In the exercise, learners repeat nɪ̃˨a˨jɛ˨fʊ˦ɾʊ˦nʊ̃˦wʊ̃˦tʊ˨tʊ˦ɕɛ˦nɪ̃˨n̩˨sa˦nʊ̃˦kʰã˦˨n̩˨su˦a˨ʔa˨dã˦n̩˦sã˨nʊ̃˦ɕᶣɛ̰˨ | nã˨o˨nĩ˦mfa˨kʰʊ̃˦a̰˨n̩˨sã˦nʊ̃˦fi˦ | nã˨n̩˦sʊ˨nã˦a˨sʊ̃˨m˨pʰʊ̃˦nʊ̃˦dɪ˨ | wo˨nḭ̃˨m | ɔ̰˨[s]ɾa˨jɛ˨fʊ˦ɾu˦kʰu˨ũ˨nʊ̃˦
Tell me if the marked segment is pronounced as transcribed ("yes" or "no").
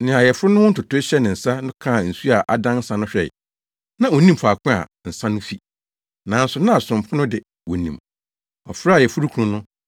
no